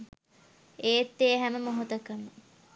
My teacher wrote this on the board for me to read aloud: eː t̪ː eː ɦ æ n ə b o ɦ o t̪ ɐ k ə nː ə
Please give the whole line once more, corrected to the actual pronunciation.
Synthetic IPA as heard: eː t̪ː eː ɦ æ m ə m o ɦ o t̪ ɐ k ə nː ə